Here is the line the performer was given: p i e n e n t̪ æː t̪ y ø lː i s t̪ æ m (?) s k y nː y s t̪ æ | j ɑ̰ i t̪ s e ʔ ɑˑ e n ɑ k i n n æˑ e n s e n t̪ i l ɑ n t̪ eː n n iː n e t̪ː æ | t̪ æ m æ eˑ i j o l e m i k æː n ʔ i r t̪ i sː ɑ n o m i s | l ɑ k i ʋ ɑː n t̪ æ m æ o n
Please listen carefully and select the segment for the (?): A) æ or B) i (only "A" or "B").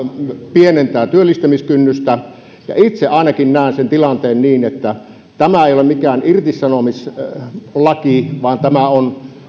B